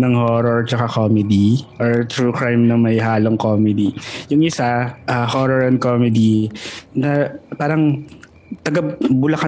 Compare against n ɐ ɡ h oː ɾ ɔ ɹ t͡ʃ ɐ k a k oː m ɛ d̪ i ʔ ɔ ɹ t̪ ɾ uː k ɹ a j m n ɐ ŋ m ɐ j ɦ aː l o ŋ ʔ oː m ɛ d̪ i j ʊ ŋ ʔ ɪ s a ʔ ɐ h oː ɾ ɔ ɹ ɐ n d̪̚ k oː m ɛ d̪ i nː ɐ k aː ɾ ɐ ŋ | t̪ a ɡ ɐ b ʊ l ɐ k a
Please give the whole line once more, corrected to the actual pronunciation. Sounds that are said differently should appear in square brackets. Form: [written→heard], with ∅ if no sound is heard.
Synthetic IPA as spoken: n ɐ [ɡ→ŋ] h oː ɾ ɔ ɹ t͡ʃ ɐ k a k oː m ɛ d̪ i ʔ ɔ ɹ t̪ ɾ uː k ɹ a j m n ɐ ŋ m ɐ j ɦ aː l o ŋ [ʔ→k] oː m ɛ d̪ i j ʊ ŋ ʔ ɪ s a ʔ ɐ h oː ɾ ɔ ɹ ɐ n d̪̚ k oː m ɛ d̪ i [nː→n] ɐ [k→p] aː ɾ ɐ ŋ | t̪ [a→ɐ] ɡ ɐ b ʊ l ɐ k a